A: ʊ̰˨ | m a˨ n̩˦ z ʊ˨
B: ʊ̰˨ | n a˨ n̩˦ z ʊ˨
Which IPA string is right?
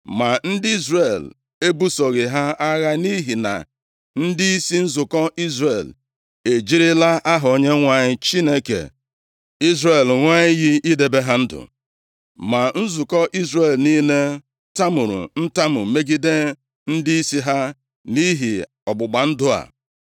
A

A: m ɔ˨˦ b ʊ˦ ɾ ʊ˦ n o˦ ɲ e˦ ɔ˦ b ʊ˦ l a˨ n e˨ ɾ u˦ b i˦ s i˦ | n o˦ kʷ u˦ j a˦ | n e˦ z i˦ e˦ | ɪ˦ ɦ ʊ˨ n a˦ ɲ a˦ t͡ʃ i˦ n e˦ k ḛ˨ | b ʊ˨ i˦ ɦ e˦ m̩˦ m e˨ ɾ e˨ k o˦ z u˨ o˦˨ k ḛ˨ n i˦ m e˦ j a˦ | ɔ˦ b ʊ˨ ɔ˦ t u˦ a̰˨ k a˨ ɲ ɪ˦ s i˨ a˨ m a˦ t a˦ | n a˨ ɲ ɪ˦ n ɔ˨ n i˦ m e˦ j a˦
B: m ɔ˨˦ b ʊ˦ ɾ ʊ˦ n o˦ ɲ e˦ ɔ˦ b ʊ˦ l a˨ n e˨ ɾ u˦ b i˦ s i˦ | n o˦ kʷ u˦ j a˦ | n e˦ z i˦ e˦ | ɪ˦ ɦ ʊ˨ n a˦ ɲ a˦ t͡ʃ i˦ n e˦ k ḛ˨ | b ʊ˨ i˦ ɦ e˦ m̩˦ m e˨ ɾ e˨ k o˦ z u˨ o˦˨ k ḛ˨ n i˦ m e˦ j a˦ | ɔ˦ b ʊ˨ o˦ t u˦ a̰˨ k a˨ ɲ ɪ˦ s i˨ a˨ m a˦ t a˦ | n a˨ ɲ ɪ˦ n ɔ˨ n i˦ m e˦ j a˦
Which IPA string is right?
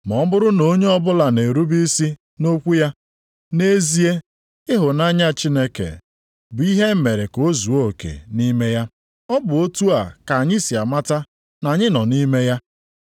B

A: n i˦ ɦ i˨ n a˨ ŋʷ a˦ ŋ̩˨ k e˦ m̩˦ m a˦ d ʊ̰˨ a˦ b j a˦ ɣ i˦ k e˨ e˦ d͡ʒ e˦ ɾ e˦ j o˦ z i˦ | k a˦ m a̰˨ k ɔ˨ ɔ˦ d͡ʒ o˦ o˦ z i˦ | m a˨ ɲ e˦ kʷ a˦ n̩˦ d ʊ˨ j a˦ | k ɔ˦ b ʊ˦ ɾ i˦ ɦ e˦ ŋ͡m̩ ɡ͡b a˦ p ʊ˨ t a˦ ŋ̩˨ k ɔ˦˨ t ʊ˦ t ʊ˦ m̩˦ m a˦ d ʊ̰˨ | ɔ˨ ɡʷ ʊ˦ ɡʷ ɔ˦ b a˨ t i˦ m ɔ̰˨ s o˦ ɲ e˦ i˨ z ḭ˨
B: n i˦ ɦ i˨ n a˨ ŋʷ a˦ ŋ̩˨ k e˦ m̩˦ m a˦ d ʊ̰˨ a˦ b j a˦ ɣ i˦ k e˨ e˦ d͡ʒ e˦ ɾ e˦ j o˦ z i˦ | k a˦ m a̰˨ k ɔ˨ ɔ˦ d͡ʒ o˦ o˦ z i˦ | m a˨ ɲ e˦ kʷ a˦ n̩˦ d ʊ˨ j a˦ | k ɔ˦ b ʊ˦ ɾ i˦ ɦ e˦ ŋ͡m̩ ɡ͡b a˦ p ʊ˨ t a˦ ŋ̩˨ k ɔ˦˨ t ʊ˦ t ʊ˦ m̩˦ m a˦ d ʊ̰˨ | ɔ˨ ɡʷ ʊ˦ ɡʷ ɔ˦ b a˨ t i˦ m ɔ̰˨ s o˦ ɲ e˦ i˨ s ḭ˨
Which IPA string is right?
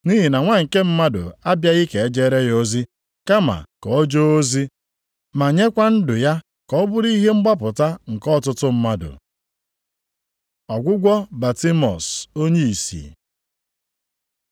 B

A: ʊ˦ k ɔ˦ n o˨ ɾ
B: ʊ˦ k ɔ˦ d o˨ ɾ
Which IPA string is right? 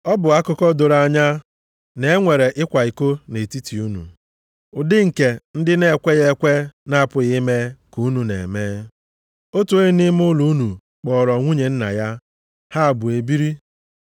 B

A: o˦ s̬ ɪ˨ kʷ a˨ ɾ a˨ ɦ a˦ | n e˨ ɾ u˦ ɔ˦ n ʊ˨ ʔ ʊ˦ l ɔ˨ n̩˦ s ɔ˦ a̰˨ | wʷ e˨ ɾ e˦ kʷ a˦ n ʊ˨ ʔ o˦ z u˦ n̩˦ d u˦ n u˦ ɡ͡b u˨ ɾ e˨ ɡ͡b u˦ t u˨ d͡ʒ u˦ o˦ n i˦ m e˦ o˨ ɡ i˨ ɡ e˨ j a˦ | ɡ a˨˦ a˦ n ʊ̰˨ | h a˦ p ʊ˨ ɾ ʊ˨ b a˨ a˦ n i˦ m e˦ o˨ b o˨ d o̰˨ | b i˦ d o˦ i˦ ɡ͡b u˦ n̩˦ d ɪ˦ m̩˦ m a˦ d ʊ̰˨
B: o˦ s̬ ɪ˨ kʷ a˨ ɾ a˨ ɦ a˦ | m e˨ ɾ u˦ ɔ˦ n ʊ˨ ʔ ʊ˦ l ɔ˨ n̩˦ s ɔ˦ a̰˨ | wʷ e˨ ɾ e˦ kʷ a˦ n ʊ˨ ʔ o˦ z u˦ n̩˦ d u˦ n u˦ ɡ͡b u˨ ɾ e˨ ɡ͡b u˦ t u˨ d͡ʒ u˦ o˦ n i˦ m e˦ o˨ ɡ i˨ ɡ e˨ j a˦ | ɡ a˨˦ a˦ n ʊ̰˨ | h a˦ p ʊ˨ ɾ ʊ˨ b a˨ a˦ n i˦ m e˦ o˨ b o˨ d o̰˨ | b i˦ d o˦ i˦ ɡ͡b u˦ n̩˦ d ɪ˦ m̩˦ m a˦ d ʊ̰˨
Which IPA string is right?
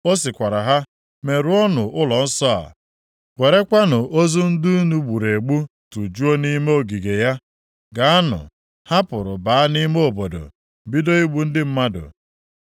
B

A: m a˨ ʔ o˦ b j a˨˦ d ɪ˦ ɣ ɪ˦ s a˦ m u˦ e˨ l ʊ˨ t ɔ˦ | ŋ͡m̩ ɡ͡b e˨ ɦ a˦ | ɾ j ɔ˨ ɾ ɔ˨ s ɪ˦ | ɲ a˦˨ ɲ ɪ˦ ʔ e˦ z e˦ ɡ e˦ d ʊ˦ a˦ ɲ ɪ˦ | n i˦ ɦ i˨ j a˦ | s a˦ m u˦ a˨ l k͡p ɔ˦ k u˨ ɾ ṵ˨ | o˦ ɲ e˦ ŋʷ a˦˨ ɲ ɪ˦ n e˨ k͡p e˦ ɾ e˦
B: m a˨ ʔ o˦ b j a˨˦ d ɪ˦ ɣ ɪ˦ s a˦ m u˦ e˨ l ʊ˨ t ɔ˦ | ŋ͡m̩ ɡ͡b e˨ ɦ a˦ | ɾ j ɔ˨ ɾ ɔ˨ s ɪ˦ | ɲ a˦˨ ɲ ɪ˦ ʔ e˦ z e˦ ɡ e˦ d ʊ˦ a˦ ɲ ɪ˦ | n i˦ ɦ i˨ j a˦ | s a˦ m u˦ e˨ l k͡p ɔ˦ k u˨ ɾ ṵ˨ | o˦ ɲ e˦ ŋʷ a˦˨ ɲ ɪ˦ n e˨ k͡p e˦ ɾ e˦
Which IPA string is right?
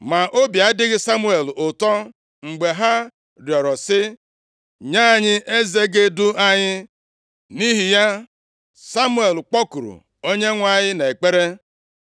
B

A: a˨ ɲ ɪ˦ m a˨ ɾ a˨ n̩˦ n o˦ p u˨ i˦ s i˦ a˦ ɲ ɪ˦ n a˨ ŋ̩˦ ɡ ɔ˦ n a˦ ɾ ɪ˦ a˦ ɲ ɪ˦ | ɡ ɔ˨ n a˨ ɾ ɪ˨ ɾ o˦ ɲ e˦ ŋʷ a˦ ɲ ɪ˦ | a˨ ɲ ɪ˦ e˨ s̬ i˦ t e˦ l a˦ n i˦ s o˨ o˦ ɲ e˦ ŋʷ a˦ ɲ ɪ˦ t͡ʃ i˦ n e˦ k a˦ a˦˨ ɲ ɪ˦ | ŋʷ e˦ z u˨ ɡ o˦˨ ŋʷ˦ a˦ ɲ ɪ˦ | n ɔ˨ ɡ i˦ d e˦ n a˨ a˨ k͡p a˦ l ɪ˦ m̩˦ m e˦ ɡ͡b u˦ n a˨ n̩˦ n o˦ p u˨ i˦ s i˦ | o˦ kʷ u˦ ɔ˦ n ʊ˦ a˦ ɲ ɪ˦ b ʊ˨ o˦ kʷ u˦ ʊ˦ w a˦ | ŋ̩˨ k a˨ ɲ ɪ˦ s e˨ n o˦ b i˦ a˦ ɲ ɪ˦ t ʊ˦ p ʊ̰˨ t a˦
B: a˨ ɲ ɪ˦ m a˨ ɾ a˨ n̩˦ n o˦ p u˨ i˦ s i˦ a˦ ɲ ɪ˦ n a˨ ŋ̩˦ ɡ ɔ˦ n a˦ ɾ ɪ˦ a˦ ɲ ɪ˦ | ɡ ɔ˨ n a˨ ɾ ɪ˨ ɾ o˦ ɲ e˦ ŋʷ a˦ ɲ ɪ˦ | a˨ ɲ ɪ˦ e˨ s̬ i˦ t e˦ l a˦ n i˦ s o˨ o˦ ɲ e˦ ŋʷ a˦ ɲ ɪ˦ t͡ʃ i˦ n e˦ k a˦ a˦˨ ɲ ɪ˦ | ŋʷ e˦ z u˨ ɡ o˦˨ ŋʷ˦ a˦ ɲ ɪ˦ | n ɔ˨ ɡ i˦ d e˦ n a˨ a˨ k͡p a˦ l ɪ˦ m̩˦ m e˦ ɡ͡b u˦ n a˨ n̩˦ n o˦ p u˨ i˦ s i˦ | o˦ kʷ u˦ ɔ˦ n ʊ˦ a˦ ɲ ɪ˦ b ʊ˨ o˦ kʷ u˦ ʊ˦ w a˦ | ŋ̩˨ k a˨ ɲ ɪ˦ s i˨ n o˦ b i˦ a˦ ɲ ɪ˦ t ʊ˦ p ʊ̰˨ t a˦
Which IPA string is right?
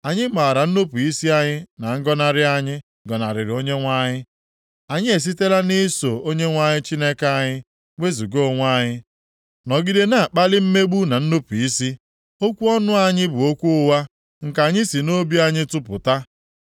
B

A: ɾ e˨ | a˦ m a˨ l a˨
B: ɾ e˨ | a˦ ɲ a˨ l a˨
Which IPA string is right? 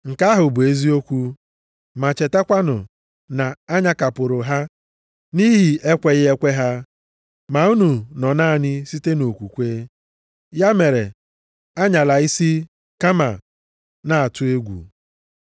B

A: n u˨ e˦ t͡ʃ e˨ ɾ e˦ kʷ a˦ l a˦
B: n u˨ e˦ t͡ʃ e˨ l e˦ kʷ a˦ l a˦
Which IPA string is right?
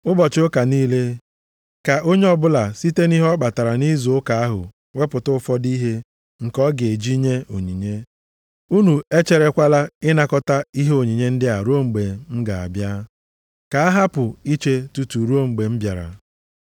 A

